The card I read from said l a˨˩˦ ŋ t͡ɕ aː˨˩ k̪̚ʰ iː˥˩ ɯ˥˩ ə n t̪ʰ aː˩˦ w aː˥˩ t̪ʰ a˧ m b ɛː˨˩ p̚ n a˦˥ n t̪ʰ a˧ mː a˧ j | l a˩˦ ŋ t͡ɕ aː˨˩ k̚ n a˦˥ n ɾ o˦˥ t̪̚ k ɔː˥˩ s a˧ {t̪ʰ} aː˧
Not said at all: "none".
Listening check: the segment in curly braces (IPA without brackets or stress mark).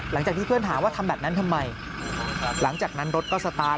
t̪